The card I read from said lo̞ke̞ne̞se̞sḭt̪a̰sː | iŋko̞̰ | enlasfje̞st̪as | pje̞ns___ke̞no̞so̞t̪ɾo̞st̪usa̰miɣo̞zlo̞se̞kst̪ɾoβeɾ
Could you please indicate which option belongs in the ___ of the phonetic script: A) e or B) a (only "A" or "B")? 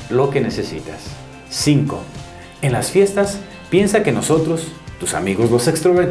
B